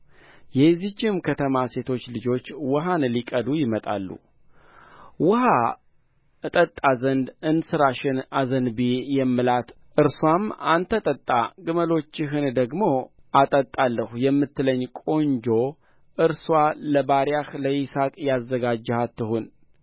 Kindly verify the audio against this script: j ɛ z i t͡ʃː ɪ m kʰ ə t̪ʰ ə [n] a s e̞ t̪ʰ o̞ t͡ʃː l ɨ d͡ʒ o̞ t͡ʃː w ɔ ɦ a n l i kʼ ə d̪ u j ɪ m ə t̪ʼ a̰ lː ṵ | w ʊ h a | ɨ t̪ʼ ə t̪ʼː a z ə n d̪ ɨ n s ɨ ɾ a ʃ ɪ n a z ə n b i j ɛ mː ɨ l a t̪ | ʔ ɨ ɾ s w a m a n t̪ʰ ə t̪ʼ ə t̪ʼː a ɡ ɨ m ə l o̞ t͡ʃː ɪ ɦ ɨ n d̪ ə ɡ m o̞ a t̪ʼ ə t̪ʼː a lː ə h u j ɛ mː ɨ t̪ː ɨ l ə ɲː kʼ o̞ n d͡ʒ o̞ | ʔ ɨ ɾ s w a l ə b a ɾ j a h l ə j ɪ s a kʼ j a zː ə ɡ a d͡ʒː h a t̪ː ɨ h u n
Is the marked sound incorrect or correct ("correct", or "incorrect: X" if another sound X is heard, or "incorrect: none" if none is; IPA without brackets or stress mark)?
incorrect: m